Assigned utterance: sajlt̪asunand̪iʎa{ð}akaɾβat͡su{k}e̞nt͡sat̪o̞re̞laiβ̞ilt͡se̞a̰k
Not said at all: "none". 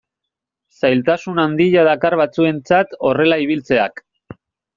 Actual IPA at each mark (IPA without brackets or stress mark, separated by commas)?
ð, none